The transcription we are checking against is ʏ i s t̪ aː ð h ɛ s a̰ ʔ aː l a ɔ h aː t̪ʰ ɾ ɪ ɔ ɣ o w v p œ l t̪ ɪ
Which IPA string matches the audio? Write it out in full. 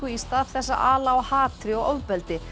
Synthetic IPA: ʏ i s t̪ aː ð θ ɛ sː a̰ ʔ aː l a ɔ h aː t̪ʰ ɾ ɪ ɔ ɣ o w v p ɛ l t̪ ɪ